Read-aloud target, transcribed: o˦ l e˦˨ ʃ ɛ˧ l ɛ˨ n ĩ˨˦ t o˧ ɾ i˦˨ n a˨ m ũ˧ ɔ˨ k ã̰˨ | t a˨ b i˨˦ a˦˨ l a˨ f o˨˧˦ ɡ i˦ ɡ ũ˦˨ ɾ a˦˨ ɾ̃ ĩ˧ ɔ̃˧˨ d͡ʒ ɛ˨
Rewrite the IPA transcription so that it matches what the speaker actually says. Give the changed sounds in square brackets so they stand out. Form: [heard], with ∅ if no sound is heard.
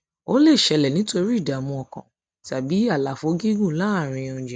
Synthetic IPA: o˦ l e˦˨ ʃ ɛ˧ l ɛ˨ n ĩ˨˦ t o˧ ɾ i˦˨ [d] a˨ m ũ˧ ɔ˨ k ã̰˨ | t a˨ b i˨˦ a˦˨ l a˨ f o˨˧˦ ɡ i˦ ɡ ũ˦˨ [l] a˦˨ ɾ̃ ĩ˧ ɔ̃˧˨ d͡ʒ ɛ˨